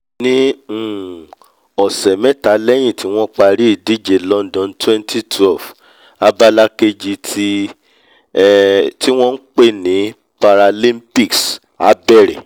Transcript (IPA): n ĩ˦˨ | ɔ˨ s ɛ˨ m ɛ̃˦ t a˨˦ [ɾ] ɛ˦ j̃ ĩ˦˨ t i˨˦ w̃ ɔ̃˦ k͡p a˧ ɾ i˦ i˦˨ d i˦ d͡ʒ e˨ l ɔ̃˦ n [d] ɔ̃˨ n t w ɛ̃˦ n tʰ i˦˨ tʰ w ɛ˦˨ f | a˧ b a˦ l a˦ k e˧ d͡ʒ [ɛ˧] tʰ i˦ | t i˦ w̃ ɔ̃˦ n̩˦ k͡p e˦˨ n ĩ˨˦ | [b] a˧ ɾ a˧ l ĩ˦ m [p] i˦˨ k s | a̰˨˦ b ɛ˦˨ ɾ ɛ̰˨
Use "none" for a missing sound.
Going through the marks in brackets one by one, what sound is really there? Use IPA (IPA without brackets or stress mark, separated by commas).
l, d, i˧, p, p